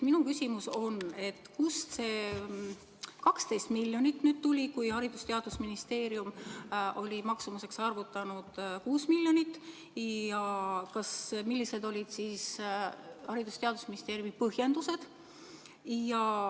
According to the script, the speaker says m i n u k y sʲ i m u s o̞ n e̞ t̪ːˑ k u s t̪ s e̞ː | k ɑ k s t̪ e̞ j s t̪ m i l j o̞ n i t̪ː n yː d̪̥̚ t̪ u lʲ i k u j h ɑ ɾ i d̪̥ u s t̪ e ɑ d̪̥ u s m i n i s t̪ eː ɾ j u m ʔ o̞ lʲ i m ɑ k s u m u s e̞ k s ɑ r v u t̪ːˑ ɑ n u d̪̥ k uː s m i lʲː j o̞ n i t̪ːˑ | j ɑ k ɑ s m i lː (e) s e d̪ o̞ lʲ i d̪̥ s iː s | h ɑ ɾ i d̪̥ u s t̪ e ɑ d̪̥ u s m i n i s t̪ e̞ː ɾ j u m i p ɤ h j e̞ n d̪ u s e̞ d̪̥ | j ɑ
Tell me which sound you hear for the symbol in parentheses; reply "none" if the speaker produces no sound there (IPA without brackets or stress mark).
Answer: i